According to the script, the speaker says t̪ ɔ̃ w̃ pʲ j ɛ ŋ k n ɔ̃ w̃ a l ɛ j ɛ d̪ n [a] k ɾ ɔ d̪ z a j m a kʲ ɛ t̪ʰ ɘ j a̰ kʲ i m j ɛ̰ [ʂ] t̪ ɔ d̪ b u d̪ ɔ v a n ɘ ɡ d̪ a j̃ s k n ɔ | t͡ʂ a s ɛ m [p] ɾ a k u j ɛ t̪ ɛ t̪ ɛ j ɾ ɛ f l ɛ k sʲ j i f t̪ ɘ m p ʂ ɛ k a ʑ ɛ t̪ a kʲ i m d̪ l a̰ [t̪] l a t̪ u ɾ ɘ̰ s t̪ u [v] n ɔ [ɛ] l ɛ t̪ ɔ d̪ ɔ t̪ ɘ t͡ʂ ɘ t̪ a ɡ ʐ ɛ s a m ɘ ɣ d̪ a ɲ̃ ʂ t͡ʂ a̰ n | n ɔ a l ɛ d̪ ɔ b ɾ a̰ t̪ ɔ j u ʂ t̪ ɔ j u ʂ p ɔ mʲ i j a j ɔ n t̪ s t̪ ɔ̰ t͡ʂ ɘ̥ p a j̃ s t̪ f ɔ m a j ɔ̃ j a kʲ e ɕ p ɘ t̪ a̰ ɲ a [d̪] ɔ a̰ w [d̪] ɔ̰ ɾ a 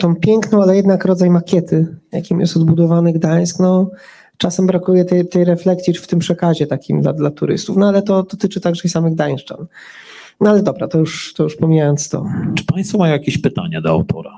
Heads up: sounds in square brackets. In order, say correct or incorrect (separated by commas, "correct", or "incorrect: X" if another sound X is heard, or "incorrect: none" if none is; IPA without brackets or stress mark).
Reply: correct, incorrect: s, incorrect: b, incorrect: d̪, incorrect: f, incorrect: a, correct, incorrect: t̪